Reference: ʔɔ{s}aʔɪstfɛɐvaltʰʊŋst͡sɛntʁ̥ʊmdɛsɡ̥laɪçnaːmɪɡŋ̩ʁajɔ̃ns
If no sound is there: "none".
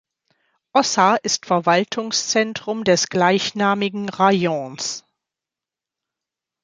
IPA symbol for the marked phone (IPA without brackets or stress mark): s